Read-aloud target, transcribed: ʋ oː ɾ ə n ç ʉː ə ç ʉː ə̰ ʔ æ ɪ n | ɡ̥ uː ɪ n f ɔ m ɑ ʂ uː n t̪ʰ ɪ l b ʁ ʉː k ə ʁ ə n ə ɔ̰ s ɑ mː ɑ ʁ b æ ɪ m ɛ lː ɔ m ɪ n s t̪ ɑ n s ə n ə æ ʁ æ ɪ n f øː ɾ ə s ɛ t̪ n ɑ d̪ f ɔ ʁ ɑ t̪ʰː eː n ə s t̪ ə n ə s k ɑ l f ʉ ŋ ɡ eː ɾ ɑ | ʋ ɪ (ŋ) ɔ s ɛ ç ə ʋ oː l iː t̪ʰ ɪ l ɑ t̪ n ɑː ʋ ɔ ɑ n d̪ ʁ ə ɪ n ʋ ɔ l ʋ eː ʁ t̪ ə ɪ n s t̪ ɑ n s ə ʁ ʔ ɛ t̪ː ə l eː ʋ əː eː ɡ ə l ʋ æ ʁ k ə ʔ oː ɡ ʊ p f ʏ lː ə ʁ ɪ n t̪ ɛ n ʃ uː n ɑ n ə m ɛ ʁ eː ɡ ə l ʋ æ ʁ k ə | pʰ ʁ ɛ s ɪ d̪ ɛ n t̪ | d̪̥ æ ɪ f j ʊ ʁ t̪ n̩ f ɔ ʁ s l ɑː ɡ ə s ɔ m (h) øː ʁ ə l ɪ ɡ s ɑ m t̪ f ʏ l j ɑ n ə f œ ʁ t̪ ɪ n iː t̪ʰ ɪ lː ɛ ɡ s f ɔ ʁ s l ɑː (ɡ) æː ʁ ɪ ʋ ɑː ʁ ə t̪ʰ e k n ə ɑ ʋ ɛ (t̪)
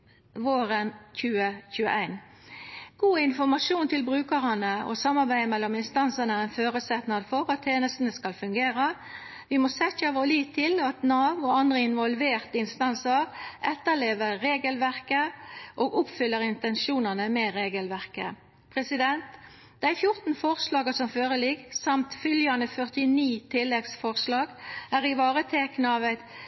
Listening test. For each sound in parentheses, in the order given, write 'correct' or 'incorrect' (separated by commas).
incorrect, incorrect, correct, correct